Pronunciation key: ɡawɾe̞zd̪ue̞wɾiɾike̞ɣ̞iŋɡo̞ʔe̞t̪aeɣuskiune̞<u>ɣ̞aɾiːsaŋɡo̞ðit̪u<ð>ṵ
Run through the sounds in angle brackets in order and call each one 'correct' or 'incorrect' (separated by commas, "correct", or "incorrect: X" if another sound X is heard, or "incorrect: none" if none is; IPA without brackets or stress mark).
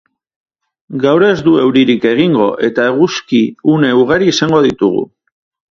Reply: correct, incorrect: ɣ